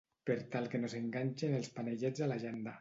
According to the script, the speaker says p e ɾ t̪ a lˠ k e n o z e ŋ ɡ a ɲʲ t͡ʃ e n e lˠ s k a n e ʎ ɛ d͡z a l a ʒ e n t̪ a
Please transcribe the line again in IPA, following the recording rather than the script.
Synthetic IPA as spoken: p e ɾ t̪ a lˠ k e n o z e ŋ ɡ a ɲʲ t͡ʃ e n e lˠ s p a n e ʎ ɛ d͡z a l a ʒ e n d̪ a